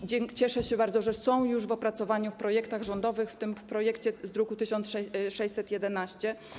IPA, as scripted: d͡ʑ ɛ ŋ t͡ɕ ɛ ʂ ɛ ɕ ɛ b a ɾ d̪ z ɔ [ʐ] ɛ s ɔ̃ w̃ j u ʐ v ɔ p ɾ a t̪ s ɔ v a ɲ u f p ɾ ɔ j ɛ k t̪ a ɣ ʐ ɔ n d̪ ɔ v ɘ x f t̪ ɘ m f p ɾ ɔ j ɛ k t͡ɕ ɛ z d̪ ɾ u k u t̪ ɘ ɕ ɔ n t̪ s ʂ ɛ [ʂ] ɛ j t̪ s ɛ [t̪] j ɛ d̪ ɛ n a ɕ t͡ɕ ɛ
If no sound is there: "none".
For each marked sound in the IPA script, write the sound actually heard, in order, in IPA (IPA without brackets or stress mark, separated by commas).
ʐ, ʂ, t̪